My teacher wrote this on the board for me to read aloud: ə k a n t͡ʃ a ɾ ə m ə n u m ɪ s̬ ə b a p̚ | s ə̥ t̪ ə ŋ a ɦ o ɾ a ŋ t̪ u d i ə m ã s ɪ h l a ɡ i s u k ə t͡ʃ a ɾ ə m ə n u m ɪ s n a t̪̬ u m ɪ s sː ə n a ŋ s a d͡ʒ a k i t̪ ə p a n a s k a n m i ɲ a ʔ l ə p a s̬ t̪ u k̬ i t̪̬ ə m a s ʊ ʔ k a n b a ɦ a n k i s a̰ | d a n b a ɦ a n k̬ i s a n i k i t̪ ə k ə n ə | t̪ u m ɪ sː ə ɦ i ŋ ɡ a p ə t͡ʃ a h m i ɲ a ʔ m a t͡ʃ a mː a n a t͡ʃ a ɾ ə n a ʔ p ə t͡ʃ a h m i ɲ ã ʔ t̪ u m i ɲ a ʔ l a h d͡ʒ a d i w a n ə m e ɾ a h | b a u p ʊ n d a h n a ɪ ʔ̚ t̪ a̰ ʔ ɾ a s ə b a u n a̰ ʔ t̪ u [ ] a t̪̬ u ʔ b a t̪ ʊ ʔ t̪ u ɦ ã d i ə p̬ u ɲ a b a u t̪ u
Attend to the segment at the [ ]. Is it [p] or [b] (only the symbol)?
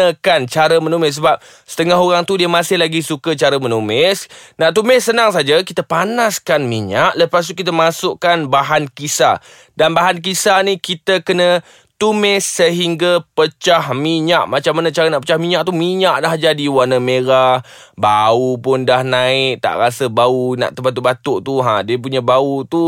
b